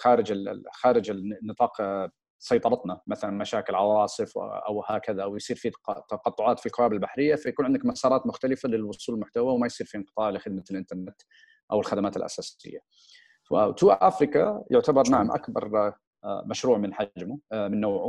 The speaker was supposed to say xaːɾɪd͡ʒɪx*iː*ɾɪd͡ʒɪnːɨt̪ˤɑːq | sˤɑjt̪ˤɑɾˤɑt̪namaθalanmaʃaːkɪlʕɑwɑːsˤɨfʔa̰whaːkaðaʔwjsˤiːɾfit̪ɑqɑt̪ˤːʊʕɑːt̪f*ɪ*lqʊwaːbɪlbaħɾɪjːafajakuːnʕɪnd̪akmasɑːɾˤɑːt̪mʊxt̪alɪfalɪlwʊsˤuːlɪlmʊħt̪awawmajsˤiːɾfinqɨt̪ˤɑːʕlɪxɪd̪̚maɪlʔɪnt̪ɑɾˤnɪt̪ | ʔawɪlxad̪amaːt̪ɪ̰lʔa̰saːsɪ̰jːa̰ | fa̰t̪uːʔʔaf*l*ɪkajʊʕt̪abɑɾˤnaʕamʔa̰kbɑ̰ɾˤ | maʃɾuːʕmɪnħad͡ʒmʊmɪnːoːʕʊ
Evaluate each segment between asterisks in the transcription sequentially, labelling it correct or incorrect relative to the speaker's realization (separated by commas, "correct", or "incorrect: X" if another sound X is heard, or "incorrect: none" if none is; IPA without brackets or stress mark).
incorrect: aː, incorrect: i, incorrect: ɾ